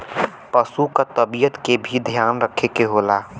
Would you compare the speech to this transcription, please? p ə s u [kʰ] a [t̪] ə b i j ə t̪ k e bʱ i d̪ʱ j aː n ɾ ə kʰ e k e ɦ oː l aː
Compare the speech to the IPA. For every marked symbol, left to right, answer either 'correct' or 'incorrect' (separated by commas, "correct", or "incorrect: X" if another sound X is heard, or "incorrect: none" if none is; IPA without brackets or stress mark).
incorrect: k, correct